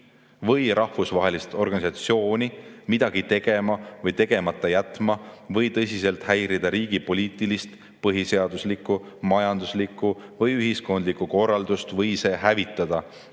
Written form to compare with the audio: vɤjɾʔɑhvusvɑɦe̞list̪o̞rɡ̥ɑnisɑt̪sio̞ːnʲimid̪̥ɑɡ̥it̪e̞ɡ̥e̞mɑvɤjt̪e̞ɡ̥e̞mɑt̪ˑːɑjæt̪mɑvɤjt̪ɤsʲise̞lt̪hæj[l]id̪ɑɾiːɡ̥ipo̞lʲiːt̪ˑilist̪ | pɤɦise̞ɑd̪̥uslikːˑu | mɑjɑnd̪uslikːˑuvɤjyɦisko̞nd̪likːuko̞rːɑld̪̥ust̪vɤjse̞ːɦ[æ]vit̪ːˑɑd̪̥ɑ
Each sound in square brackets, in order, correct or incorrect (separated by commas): incorrect, correct